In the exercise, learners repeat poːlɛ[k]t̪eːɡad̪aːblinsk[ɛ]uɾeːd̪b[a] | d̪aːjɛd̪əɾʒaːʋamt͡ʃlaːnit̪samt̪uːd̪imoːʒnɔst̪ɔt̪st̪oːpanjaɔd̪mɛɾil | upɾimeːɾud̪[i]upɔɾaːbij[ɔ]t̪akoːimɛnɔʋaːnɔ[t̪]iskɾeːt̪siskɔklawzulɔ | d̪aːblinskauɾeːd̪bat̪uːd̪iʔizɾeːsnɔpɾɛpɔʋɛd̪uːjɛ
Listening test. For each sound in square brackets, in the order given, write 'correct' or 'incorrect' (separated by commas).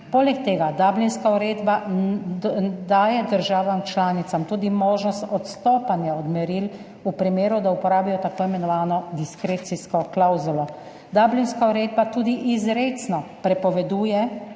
correct, incorrect, correct, incorrect, correct, incorrect